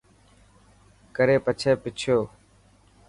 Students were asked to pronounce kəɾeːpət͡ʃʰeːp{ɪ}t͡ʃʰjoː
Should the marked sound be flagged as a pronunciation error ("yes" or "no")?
no